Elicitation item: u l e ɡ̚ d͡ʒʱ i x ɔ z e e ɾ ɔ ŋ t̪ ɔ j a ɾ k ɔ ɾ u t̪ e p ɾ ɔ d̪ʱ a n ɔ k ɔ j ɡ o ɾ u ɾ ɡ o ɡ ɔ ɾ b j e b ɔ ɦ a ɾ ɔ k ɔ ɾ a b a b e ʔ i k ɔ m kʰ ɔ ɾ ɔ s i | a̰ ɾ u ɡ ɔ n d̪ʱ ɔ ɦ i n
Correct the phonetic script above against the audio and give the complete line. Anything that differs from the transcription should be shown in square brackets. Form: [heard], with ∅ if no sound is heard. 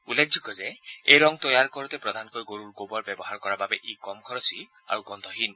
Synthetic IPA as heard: u l e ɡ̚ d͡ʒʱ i [k] ɔ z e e ɾ ɔ ŋ t̪ ɔ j a ɾ k ɔ ɾ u t̪ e p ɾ ɔ d̪ʱ a n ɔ k ɔ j ɡ o ɾ u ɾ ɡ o [b] ɔ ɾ b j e b ɔ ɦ a ɾ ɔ k ɔ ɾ a b a b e ʔ i k ɔ m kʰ ɔ ɾ ɔ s i | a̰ ɾ u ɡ ɔ n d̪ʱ ɔ ɦ i n